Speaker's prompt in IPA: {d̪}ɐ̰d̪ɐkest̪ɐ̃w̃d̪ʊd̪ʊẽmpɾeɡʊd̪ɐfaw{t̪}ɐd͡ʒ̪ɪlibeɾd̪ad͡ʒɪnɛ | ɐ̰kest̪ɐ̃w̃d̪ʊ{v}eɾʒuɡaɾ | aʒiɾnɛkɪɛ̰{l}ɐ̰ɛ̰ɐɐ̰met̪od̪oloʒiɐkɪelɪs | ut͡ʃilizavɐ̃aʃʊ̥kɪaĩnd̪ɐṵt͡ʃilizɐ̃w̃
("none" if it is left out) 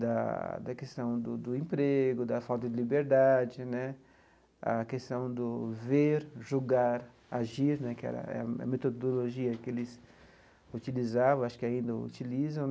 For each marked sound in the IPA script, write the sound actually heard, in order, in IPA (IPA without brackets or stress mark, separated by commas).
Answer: d̪, t̪, v, ɾ